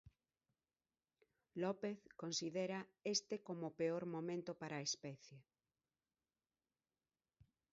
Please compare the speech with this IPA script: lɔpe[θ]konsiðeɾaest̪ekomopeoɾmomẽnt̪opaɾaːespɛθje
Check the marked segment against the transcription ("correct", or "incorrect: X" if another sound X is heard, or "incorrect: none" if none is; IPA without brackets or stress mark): correct